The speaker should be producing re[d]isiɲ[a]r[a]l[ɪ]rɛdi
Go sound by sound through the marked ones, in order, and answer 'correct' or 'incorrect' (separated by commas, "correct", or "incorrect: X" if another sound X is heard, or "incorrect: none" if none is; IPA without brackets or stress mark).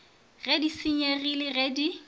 correct, incorrect: e, incorrect: i, correct